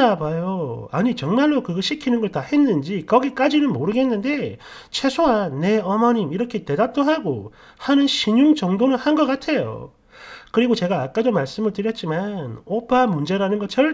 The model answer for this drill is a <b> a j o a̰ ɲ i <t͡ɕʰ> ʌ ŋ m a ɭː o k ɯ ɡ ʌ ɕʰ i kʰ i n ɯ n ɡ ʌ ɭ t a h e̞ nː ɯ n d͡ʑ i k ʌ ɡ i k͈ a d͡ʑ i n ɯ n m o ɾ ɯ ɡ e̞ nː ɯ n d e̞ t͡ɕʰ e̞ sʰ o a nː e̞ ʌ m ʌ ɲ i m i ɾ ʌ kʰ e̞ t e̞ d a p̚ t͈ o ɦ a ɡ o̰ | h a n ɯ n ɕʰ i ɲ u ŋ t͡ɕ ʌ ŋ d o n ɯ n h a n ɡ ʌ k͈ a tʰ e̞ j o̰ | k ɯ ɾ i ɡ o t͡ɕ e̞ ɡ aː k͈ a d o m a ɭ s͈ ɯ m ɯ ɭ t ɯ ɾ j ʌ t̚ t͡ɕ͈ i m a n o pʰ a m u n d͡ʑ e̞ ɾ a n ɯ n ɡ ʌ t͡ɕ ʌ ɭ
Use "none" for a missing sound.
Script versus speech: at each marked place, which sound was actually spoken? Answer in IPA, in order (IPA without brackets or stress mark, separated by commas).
b, t͡ɕ